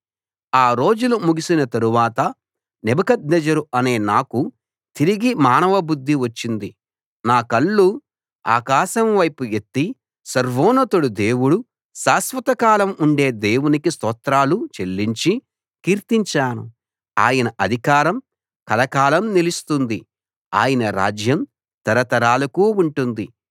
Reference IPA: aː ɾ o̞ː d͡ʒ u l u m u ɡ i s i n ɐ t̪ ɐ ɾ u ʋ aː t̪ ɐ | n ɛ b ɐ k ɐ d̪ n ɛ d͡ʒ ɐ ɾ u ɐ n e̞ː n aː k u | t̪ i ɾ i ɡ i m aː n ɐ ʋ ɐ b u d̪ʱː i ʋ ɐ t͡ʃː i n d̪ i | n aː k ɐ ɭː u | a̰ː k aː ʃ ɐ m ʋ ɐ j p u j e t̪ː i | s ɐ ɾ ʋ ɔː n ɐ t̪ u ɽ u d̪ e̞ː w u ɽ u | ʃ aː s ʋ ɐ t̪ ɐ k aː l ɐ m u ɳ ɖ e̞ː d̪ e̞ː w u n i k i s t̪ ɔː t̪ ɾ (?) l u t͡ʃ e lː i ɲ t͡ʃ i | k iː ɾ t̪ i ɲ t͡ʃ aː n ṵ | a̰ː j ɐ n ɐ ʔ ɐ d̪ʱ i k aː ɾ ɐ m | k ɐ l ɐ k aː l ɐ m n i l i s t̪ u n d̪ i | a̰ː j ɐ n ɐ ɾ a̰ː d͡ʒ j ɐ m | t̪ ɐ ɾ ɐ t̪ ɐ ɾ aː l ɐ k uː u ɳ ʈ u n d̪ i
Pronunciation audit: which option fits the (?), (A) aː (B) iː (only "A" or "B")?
A